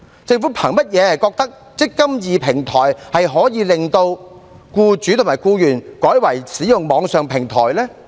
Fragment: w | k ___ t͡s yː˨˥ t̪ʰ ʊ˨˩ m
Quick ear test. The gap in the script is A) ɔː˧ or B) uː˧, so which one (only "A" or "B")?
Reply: B